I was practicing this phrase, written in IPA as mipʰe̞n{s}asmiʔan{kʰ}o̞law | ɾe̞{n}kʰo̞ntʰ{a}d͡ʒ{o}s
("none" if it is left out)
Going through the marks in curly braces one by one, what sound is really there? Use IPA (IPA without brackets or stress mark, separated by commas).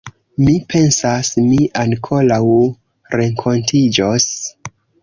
s, kʰ, ŋ, i, o